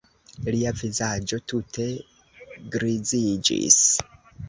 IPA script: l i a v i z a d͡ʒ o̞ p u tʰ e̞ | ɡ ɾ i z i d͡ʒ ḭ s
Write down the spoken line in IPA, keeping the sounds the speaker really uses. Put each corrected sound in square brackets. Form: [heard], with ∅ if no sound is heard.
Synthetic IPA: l i a v i z a d͡ʒ o̞ [t] u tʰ e̞ | ɡ ɾ i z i d͡ʒ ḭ s